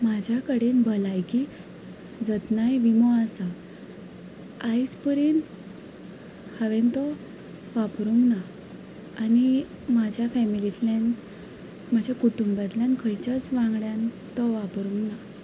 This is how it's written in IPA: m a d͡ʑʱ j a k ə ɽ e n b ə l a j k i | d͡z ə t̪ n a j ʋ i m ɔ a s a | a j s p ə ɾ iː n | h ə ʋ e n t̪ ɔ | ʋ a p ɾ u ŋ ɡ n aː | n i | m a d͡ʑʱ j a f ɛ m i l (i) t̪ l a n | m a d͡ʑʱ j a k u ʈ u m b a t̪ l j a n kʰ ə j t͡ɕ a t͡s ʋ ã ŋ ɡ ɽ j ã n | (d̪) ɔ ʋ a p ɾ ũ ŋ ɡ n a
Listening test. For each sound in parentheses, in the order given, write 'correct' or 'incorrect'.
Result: correct, incorrect: t̪

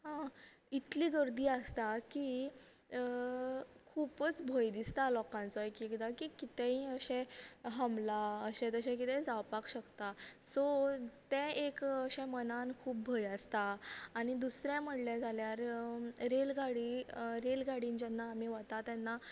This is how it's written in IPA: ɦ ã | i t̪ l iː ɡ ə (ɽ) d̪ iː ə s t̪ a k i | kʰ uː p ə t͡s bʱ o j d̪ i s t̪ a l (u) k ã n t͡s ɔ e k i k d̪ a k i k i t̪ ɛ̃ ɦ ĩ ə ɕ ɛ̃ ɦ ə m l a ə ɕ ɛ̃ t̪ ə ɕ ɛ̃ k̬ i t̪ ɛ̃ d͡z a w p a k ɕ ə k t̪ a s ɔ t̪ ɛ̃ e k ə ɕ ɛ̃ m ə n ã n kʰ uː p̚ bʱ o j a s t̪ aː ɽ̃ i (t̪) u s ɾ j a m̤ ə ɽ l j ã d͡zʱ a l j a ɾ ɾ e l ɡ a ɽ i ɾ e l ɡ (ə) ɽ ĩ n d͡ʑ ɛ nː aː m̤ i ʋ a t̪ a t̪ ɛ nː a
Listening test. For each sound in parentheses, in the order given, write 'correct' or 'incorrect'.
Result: incorrect: ɾ, incorrect: ɔ, incorrect: d̪, incorrect: a

